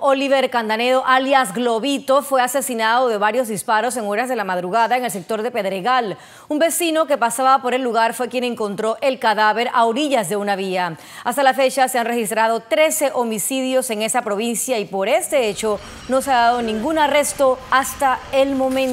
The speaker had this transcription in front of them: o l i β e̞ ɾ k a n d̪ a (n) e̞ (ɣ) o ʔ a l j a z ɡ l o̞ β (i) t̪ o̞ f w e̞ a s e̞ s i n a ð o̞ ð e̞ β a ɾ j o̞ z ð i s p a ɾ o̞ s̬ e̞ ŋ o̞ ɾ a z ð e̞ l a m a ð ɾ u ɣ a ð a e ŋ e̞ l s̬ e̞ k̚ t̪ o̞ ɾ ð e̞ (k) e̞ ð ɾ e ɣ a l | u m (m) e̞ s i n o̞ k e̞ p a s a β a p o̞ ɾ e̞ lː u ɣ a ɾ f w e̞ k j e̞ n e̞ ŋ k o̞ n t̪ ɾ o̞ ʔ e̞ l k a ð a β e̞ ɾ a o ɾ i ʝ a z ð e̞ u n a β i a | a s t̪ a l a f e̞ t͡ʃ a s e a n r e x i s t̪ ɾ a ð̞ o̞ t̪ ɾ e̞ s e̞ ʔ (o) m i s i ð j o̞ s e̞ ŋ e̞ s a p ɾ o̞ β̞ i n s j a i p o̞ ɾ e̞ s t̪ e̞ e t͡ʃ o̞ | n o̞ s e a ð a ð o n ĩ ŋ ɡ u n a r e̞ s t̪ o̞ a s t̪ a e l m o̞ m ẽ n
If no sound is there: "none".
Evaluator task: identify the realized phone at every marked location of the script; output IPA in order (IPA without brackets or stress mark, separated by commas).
n, ð, i, p, b, o